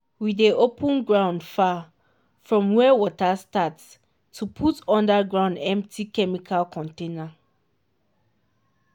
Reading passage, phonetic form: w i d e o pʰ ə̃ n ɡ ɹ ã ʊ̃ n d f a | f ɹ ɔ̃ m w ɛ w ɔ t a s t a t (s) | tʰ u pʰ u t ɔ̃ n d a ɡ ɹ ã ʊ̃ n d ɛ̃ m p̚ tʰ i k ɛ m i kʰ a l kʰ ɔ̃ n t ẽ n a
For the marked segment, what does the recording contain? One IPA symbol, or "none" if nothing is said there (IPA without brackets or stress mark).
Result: s